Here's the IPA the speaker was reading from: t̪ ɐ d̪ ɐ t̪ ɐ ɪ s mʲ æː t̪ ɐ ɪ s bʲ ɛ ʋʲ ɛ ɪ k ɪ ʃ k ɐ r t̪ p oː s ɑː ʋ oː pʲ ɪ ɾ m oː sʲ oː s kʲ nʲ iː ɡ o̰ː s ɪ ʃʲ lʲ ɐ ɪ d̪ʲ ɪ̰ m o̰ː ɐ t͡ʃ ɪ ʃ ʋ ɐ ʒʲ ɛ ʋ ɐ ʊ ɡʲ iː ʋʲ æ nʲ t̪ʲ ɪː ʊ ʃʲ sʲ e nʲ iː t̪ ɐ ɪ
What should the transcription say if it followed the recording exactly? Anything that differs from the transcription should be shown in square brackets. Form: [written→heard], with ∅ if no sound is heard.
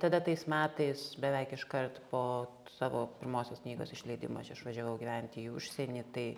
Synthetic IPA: t̪ ɐ d̪ ɐ t̪ ɐ ɪ s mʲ æː t̪ ɐ ɪ s bʲ ɛ ʋʲ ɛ ɪ k ɪ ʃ k ɐ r t̪ p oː s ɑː ʋ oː pʲ ɪ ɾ m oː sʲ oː s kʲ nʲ iː ɡ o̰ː s ɪ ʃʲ lʲ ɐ ɪ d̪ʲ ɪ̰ m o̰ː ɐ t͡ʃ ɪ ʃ ʋ ɐ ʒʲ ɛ ʋ ɐ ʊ ɡʲ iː ʋʲ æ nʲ t̪ʲ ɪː ʊ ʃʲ sʲ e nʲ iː t̪ ɐ ɪ

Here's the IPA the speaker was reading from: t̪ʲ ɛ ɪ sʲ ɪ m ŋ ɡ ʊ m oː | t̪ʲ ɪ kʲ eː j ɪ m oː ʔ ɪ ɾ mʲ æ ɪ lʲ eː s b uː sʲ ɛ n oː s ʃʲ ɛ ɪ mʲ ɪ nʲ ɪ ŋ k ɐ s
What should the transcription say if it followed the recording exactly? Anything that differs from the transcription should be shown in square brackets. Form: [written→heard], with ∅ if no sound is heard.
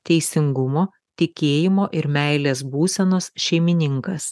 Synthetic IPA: t̪ʲ ɛ ɪ sʲ ɪ [m→∅] ŋ ɡ ʊ m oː | t̪ʲ ɪ kʲ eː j ɪ m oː ʔ ɪ ɾ mʲ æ ɪ lʲ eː s b uː sʲ ɛ n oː s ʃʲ ɛ ɪ mʲ ɪ nʲ ɪ ŋ k ɐ s

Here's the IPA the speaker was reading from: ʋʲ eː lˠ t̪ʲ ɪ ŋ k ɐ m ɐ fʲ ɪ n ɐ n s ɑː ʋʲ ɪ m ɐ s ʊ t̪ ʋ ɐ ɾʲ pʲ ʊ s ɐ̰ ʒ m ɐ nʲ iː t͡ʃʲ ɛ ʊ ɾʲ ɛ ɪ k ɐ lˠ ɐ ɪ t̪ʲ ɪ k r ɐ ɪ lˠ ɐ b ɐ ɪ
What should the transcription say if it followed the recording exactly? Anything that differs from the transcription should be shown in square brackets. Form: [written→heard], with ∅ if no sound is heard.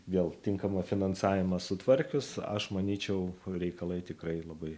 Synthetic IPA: ʋʲ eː lˠ t̪ʲ ɪ ŋ k ɐ m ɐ fʲ ɪ n ɐ n s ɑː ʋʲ ɪ m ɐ s ʊ t̪ ʋ ɐ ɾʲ [pʲ→kʲ] ʊ s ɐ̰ [ʒ→ʃ] m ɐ nʲ iː t͡ʃʲ ɛ ʊ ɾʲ ɛ ɪ k ɐ lˠ ɐ ɪ t̪ʲ ɪ k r ɐ ɪ lˠ ɐ b ɐ ɪ

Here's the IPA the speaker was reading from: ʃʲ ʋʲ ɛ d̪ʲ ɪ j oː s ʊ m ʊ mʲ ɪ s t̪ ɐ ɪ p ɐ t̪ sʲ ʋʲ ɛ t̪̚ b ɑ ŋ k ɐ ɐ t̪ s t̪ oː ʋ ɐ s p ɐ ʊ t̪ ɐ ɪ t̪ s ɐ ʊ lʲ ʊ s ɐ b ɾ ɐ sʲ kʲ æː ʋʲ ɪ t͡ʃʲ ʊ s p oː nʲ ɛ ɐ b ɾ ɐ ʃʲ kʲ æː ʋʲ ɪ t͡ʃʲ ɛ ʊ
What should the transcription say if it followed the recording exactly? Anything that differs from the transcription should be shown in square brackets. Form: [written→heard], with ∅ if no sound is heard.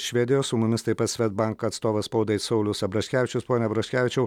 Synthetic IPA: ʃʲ ʋʲ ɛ d̪ʲ ɪ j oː s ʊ m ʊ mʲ ɪ s t̪ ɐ ɪ p ɐ t̪ sʲ ʋʲ ɛ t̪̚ b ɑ ŋ k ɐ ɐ t̪ s t̪ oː ʋ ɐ s p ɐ ʊ [t̪→d̪] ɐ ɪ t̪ s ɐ ʊ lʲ ʊ s ɐ b ɾ ɐ [sʲ→ʃʲ] kʲ æː ʋʲ ɪ t͡ʃʲ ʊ s p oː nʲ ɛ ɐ b ɾ ɐ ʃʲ kʲ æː ʋʲ ɪ t͡ʃʲ ɛ ʊ

